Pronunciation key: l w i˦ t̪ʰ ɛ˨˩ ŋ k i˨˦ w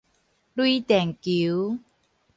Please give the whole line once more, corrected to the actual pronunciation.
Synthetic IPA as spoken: l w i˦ t̪ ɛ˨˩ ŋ k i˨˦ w